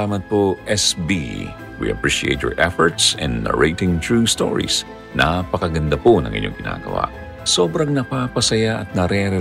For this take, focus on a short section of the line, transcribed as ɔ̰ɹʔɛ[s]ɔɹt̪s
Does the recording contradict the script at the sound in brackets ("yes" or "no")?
yes